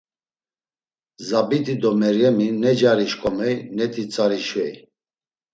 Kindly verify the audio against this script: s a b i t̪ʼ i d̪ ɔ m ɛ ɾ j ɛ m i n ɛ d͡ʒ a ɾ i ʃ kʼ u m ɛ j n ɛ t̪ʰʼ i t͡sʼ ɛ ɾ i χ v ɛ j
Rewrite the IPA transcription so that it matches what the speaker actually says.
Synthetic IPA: z a b i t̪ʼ i d̪ ɔ m ɛ ɾ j ɛ m i n ɛ d͡ʒ a ɾ i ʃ kʼ ɔ m ɛ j n ɛ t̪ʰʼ i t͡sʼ a ɾ i ʃ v ɛ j

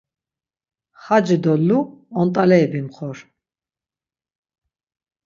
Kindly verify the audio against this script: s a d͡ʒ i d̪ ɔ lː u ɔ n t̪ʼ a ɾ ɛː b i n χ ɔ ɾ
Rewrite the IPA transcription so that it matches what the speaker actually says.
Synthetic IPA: χ a d͡ʒ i d̪ ɔ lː u ɔ n t̪ʼ a l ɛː b i m χ ɔ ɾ

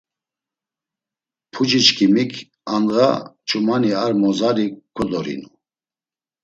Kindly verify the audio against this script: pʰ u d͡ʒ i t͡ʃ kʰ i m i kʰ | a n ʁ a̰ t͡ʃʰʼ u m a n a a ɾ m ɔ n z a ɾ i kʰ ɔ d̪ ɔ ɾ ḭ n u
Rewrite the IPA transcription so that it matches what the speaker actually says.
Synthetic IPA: pʰ u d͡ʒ i t͡ʃ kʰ i m i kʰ | a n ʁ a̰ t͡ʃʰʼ u m a n i a ɾ m ɔ z a ɾ i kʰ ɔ d̪ ɔ ɾ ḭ n u

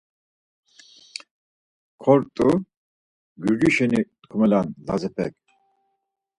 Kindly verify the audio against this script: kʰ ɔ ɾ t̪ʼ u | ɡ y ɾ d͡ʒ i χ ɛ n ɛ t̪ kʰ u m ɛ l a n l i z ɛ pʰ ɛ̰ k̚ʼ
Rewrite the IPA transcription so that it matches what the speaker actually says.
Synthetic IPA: kʰ ɔ ɾ t̪ʼ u | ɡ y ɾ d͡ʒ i ʃ ɛ n i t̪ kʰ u m ɛ l a n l a z ɛ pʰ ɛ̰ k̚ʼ

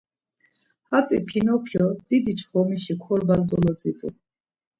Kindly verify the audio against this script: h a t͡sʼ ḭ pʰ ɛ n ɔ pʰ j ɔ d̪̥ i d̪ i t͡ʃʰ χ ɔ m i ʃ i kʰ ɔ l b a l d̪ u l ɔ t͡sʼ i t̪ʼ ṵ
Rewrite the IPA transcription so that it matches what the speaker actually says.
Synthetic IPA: h a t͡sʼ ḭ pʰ i n ɔ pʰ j ɔ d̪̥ i d̪ i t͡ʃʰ χ ɔ m i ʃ i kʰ ɔ l b a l d̪ ɔ l ɔ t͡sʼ i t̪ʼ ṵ

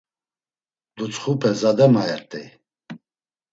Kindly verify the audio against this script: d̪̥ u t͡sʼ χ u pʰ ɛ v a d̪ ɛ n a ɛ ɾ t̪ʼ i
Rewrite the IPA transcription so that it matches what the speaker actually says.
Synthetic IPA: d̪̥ u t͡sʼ χ u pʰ ɛ z a d̪ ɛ m a ɛ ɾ t̪ʼ i

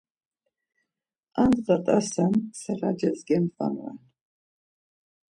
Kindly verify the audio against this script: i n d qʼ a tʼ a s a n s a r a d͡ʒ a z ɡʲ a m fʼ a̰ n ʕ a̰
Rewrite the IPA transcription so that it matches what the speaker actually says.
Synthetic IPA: a n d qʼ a tʼ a s a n s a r a d͡ʒ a z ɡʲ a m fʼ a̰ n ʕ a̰

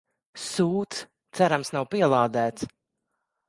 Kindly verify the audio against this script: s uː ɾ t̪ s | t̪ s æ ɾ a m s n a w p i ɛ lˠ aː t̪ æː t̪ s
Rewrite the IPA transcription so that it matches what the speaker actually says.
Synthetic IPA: s uː t̪ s | t̪ s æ ɾ a m s n a w p i ɛ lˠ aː d̪ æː t̪ s

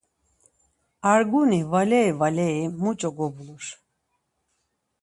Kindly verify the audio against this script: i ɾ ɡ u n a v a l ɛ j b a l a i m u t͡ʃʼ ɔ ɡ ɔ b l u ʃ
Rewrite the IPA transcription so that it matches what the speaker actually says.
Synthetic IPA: a ɾ ɡ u n i v a l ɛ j v a l ɛ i m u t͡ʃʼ ɔ ɡ ɔ b l u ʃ

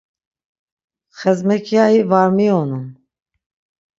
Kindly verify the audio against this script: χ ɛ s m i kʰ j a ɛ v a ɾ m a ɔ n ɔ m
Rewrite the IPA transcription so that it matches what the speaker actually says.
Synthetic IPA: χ ɛ z m ɛ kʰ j a i v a ɾ m i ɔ n u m

